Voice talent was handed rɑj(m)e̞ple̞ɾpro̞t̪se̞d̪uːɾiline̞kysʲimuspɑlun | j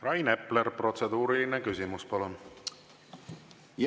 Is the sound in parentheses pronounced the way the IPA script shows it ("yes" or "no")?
no